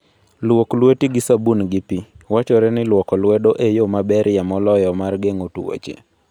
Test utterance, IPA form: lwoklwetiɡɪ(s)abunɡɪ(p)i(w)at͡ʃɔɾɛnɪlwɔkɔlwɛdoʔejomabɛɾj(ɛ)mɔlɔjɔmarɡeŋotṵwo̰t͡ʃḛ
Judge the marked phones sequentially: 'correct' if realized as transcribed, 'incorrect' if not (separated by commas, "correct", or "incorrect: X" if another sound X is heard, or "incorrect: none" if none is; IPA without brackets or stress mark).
correct, correct, correct, incorrect: a